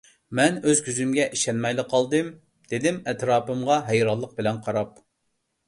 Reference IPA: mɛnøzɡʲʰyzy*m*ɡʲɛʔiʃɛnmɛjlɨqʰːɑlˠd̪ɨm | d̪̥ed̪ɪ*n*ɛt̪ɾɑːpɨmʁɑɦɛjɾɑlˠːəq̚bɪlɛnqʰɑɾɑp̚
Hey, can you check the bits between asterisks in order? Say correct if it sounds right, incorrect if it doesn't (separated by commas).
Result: correct, incorrect